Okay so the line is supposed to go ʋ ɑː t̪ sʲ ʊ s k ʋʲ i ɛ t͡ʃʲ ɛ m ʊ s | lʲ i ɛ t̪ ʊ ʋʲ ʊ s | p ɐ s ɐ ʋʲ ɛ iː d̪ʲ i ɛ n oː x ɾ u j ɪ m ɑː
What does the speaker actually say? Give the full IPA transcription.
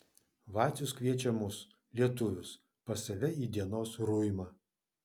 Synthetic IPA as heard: ʋ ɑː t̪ sʲ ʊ s k ʋʲ i ɛ t͡ʃʲ ɛ m ʊ s | lʲ i ɛ t̪ ʊ ʋʲ ʊ s | p ɐ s ɐ ʋʲ ɛ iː d̪ʲ i ɛ n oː s ɾ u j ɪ m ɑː